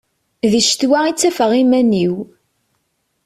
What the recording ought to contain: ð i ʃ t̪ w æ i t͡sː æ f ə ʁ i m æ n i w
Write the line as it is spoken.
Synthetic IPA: ð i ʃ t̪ w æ i t͡sː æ f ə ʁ i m æ n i w